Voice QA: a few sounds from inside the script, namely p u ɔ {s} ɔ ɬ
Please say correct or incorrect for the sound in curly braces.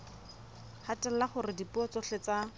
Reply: incorrect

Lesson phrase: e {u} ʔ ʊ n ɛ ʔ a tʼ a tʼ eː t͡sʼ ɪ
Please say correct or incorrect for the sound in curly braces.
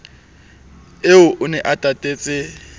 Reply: incorrect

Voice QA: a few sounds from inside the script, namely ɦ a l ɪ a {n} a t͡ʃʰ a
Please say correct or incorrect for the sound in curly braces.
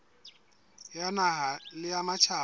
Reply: incorrect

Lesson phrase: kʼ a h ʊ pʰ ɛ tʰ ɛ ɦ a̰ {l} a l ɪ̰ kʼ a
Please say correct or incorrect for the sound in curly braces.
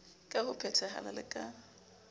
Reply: correct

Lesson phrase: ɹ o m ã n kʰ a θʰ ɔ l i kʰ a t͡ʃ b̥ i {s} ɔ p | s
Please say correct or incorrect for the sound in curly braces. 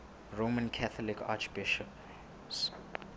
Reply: incorrect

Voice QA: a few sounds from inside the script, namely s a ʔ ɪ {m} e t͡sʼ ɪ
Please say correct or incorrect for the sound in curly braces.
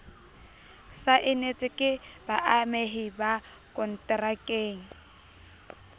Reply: incorrect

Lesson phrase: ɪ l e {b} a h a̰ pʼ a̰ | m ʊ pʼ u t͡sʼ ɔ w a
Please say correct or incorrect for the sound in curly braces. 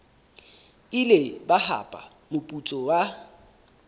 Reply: correct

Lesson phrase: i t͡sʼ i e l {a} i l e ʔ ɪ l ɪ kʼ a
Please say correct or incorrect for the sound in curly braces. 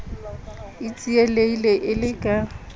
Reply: incorrect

